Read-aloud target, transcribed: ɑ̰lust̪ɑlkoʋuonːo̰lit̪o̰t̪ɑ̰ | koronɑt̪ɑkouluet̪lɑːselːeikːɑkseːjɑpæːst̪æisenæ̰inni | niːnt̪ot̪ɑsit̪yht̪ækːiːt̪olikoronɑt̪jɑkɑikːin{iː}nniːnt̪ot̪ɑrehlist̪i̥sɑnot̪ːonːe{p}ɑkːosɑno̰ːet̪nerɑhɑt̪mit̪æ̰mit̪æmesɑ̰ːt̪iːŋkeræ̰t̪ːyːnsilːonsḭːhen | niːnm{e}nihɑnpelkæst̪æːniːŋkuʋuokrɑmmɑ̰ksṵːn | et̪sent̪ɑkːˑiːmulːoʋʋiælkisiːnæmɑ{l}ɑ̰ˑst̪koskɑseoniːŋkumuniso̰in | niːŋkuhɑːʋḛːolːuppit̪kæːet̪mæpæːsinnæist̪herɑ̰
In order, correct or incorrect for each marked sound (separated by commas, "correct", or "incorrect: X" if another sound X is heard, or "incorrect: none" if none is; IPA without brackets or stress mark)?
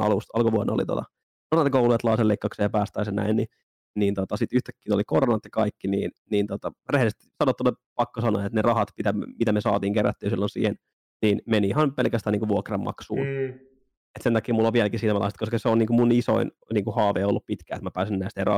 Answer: correct, correct, correct, correct